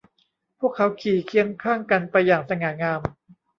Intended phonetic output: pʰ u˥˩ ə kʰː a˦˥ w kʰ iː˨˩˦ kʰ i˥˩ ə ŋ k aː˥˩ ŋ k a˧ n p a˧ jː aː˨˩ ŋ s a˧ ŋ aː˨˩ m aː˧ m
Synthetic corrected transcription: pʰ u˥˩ ə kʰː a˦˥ w kʰ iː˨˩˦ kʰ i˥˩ ə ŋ kʰ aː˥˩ ŋ k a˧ n p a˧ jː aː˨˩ ŋ s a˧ ŋ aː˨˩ ŋ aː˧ m